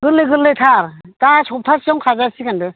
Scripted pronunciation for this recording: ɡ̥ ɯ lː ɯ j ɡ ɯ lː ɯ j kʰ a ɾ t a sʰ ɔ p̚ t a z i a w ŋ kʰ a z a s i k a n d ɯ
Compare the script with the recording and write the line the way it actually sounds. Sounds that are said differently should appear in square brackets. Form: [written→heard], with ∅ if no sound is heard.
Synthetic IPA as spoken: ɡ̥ ɯ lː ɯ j ɡ ɯ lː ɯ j [kʰ→tʰ] a ɾ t a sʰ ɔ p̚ [t→tʰ] a [z→s] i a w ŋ kʰ a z a s i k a n d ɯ